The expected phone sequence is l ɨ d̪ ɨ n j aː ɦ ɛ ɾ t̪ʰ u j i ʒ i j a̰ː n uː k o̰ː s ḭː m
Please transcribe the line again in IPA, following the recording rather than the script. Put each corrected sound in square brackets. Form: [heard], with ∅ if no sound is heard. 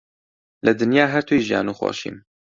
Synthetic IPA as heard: l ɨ d̪ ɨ n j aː ɦ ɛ ɾ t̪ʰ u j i ʒ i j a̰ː n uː [x] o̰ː [ʃ] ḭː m